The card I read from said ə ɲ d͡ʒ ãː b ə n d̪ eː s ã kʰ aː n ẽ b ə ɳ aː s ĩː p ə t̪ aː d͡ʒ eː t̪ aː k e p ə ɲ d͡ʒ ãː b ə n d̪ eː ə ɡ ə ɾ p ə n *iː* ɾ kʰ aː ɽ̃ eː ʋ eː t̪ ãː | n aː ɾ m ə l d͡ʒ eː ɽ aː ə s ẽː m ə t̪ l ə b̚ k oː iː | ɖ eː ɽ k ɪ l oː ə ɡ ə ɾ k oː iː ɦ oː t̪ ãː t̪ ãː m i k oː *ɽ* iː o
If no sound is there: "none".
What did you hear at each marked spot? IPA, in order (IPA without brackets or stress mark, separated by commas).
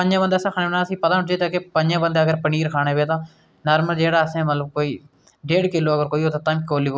iː, l